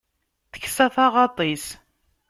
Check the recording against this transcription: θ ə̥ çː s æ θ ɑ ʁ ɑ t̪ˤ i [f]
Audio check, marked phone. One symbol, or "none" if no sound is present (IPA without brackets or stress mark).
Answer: s